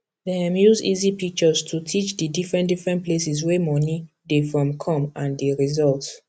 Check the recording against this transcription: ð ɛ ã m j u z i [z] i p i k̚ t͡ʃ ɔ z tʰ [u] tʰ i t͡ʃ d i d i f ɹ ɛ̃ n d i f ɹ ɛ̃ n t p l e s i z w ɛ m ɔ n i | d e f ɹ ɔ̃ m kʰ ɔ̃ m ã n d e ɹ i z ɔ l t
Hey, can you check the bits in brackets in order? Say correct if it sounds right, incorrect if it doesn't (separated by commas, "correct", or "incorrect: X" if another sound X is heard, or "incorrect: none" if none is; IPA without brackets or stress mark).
correct, correct